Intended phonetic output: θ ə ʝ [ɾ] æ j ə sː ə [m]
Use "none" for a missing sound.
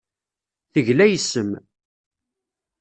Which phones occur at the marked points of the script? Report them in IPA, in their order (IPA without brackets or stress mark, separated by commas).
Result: l, m